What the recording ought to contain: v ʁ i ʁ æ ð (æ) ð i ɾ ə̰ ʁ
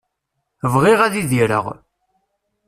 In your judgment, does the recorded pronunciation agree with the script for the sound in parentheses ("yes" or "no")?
no